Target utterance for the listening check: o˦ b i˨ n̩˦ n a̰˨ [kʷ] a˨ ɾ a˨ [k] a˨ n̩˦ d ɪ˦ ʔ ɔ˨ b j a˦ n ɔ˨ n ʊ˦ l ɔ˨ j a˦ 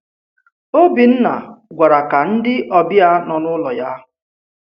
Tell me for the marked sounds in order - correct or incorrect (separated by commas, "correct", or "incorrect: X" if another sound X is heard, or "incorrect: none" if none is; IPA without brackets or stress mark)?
incorrect: ɡʷ, correct